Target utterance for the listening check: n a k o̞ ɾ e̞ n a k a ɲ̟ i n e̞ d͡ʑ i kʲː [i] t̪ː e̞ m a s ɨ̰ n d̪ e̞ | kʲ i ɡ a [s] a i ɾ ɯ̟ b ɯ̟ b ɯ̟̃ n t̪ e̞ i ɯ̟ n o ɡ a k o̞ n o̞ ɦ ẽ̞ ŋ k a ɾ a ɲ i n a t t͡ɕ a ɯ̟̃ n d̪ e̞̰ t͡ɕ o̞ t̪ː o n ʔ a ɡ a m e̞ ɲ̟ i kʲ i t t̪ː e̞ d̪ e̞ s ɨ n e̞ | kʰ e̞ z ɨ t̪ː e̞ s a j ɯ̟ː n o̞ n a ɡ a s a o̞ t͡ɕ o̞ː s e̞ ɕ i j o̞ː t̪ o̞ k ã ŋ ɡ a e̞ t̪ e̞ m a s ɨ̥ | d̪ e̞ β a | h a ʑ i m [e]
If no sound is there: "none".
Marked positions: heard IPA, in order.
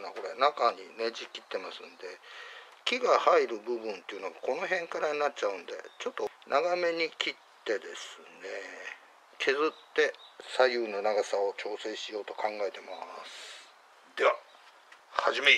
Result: i, h, e

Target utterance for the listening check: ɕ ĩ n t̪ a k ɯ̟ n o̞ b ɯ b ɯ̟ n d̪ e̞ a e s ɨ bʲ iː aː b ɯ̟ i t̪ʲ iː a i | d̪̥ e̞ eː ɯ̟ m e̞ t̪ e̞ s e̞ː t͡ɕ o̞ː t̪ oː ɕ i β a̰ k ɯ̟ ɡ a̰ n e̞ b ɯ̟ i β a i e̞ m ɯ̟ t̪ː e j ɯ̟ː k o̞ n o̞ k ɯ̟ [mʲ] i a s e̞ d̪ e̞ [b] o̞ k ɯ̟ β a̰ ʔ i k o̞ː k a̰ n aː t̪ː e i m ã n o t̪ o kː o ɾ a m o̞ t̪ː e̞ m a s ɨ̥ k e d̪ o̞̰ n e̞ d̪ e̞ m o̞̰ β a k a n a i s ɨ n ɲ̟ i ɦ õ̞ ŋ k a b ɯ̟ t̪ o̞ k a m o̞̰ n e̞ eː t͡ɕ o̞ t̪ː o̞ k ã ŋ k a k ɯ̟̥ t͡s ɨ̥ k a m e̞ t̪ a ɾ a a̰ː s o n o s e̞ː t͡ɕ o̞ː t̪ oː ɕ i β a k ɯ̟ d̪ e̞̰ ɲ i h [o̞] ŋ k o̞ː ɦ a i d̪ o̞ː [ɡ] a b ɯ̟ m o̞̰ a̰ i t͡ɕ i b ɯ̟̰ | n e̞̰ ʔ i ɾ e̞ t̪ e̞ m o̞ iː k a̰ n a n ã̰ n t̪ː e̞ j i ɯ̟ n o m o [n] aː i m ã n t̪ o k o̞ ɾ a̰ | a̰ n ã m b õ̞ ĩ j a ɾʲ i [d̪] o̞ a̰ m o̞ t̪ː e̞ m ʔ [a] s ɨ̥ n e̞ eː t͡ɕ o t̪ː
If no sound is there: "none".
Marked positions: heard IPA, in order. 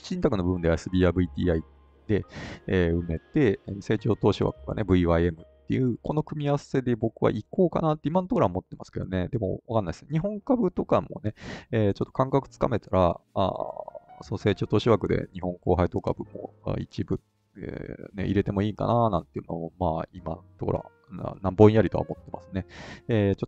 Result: mʲ, b, õ̞, k, m, t̪, a

